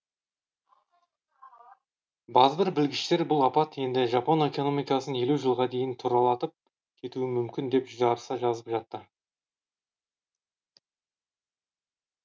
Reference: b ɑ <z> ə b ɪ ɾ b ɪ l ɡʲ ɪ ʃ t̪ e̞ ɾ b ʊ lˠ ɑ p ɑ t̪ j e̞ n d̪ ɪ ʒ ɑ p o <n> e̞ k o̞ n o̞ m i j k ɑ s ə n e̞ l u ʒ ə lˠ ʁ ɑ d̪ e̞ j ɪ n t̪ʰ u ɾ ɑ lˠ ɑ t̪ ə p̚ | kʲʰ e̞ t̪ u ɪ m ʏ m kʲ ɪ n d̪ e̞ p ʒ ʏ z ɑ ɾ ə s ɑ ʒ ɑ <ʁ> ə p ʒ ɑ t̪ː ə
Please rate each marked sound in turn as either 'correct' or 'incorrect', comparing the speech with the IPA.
correct, correct, incorrect: z

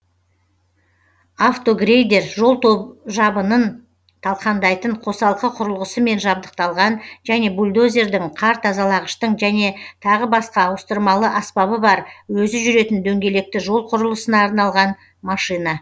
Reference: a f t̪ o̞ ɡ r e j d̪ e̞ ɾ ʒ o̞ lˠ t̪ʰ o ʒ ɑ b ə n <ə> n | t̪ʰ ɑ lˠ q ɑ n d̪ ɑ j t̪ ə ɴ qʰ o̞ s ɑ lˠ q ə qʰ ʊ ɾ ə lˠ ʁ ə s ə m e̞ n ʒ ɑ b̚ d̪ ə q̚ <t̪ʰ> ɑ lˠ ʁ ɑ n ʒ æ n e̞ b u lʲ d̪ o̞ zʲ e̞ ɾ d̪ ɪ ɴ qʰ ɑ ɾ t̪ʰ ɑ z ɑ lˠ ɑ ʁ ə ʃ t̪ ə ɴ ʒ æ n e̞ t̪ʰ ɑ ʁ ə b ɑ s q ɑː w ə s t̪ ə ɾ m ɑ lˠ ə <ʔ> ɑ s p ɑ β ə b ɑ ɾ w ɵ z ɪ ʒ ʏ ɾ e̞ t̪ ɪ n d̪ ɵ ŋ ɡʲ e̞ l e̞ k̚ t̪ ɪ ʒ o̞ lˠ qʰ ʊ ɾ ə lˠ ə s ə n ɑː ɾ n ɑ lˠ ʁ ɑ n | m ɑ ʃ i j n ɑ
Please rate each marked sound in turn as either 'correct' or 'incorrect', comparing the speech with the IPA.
correct, incorrect: t̪, correct

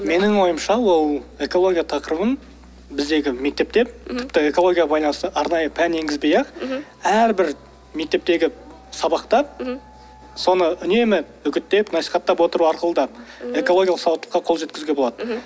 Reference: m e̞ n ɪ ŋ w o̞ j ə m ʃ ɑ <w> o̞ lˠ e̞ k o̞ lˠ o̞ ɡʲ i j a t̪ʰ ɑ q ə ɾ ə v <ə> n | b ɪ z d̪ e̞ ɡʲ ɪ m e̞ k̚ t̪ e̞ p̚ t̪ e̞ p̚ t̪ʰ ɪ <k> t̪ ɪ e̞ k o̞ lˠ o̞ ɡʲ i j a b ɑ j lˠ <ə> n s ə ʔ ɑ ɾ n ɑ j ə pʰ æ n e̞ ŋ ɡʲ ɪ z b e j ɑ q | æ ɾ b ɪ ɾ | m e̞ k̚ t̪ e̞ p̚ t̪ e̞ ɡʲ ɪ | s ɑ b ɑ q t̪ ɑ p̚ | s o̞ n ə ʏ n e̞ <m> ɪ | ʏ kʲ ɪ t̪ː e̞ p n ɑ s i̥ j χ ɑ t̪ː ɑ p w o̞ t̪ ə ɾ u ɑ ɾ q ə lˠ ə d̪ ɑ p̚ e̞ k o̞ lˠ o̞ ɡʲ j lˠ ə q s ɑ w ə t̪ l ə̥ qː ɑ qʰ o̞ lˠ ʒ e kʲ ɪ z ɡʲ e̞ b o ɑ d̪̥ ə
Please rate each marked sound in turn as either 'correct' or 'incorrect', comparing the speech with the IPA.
correct, correct, incorrect: p, incorrect: ɑ, correct

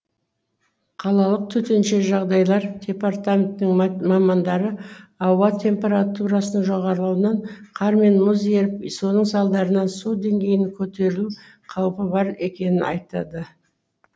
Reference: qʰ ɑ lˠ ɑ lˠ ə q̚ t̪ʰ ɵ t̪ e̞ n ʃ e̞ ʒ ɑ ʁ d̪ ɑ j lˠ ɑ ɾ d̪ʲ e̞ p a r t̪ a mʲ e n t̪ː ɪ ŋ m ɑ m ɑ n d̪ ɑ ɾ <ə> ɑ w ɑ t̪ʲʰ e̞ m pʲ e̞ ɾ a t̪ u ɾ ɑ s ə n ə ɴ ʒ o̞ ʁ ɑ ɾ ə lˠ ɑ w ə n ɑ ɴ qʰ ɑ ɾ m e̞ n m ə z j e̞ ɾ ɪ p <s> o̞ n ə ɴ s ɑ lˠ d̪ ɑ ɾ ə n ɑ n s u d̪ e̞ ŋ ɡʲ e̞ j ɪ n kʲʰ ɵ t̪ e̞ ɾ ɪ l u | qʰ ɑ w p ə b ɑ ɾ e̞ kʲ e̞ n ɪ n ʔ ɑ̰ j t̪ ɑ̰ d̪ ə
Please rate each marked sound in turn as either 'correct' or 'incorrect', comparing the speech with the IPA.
correct, correct

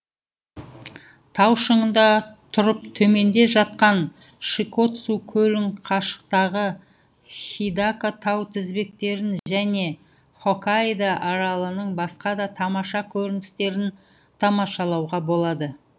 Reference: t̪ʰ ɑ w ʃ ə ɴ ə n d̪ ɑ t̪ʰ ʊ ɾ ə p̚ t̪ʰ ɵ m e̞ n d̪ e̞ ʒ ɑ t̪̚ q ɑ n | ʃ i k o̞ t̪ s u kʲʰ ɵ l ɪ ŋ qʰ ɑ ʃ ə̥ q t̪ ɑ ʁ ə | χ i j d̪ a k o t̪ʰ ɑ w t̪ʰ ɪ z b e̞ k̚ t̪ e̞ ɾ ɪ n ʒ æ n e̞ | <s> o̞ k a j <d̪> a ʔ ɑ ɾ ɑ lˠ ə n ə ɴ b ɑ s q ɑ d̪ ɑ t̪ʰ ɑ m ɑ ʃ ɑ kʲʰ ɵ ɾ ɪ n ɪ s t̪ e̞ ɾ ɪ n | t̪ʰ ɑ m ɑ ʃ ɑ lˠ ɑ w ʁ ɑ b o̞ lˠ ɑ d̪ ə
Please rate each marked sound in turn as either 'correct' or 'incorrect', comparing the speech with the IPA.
incorrect: χ, correct

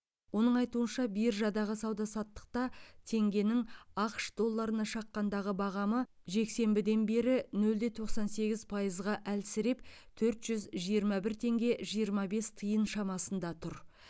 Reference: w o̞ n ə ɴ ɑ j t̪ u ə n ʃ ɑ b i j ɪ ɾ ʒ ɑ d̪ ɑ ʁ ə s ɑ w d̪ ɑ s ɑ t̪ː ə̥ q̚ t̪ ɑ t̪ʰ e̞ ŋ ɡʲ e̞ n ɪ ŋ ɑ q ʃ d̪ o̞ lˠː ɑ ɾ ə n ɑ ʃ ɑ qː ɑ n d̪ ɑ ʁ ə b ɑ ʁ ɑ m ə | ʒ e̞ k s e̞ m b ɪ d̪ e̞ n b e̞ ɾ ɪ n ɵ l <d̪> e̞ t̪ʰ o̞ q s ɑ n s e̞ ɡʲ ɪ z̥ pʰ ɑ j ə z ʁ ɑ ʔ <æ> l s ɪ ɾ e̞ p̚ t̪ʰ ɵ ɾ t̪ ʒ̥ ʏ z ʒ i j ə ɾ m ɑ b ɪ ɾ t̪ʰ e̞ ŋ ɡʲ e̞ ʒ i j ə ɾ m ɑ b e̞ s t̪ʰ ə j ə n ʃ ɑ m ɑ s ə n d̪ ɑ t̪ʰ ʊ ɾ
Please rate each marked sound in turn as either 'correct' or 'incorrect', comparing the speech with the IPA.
correct, correct

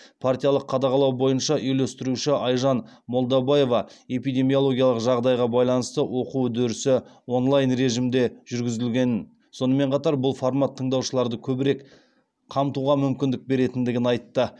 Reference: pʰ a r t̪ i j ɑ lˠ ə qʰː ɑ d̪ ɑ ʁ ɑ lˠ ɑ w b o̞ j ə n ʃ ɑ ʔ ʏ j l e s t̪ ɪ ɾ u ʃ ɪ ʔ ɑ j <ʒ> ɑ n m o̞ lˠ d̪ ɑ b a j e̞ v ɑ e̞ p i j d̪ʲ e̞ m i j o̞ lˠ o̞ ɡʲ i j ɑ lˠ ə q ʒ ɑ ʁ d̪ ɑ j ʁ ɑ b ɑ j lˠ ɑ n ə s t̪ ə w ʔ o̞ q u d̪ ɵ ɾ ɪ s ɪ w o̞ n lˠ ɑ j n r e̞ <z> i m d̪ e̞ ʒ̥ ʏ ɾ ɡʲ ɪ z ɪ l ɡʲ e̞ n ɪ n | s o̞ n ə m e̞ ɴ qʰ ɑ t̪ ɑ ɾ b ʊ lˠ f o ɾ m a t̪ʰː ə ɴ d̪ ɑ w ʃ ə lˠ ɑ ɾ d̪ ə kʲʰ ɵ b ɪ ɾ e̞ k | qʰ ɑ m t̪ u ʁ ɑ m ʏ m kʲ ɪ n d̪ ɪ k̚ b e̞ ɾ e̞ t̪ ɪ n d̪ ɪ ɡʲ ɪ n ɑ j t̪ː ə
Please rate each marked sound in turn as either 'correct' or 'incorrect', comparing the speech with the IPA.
correct, incorrect: ʒ

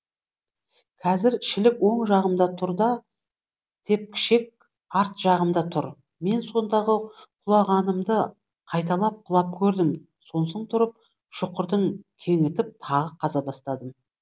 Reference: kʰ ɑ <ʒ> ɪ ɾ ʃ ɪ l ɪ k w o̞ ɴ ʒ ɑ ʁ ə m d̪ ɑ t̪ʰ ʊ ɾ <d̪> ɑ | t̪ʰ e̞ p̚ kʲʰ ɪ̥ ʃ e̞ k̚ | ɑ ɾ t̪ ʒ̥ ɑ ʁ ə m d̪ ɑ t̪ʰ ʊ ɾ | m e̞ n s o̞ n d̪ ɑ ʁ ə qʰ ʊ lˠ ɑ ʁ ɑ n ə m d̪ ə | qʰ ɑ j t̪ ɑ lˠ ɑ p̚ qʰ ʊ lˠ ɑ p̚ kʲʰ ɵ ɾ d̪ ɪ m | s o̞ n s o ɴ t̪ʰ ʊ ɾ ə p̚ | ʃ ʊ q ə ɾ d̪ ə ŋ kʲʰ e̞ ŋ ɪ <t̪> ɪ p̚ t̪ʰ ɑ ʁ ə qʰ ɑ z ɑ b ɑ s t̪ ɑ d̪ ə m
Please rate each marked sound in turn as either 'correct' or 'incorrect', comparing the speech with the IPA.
incorrect: z, correct, correct

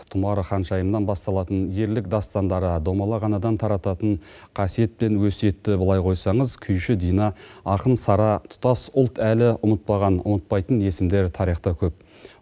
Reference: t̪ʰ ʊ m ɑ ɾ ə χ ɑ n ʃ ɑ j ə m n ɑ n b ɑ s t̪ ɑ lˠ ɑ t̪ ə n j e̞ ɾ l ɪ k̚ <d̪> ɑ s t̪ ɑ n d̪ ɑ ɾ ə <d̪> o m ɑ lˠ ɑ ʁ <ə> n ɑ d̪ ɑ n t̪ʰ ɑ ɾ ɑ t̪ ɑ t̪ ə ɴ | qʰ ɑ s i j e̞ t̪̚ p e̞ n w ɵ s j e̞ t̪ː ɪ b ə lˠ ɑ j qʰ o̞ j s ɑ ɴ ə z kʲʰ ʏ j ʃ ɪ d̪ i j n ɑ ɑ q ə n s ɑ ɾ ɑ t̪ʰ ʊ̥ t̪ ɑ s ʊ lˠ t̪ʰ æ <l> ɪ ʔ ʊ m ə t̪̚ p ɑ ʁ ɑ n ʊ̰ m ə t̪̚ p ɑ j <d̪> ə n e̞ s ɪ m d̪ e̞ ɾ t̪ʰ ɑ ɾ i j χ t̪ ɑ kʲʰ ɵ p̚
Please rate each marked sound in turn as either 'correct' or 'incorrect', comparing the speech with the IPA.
correct, correct, incorrect: ɑ, correct, incorrect: t̪

